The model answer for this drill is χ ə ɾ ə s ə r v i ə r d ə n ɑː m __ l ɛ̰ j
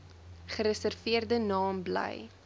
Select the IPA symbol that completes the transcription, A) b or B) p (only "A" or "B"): A